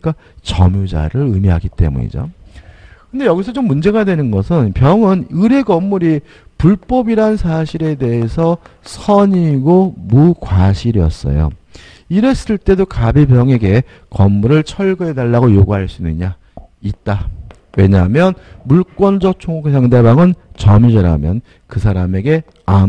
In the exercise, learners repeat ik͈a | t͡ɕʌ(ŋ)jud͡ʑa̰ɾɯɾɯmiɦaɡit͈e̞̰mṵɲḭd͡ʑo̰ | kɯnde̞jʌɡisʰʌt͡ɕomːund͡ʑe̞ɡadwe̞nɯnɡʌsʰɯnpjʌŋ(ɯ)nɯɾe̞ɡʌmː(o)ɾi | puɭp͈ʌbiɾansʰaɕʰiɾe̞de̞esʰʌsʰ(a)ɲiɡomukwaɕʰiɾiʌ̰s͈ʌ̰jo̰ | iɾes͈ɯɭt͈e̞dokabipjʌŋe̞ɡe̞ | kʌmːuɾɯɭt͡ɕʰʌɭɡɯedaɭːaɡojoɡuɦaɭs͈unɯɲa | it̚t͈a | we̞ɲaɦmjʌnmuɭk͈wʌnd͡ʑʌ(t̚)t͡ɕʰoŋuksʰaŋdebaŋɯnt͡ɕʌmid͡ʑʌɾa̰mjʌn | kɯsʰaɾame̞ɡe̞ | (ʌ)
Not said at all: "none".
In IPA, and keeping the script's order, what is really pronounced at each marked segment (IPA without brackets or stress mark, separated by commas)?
m, ɯ, u, ʌ, k̚, a